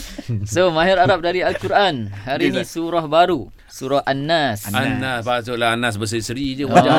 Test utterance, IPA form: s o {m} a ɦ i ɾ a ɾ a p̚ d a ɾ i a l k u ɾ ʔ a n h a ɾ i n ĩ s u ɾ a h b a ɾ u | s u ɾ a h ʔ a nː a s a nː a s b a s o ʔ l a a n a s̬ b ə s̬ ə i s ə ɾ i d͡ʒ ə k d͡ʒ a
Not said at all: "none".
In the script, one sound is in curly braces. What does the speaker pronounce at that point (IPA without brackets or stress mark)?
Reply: m